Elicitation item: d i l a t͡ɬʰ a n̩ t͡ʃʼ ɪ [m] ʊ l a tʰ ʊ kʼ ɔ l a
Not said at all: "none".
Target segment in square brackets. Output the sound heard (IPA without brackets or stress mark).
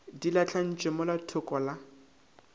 m